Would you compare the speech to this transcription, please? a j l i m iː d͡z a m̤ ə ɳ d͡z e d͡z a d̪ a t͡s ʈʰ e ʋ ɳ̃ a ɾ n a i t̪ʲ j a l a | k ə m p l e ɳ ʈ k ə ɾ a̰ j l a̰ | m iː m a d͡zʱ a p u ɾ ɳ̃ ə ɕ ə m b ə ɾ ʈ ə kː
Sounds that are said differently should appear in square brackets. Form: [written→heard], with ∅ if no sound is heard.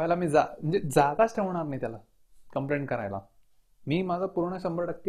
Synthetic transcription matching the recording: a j l [i→a] m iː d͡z a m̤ ə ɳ d͡z e d͡z a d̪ a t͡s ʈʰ e ʋ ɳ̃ a ɾ n a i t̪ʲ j a l a | k ə m p l e ɳ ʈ k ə ɾ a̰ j l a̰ | m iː m a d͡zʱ a p u ɾ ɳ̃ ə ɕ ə m b ə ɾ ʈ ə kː